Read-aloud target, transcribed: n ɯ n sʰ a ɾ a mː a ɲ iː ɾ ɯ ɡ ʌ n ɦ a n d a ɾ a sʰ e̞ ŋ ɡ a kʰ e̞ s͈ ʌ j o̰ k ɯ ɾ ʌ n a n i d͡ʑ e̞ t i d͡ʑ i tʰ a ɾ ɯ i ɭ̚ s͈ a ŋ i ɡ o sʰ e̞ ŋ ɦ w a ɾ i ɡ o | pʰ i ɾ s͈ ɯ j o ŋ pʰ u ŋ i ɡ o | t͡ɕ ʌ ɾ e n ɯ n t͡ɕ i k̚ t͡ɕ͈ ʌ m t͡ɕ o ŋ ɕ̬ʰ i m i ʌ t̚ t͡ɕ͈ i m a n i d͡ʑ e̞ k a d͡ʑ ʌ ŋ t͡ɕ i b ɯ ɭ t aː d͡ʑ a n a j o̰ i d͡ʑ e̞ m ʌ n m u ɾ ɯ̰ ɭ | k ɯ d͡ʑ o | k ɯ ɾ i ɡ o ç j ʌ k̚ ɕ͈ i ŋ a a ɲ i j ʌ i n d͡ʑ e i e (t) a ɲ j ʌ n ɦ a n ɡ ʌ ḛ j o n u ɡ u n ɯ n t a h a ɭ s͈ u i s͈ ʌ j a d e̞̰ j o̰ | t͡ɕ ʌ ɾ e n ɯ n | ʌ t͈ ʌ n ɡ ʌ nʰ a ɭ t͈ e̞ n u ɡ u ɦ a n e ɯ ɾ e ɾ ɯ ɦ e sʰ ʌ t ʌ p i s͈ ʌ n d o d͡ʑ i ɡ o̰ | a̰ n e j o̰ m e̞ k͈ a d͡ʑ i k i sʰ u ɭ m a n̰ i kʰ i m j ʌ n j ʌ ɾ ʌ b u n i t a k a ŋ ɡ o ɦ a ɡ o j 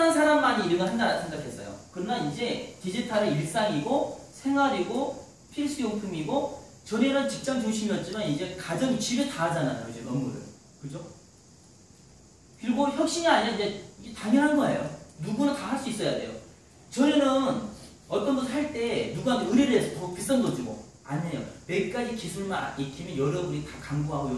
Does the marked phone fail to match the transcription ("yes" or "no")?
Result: no